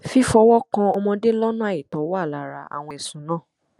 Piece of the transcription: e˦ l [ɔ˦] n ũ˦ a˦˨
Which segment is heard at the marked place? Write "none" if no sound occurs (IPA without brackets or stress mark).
ɔ˦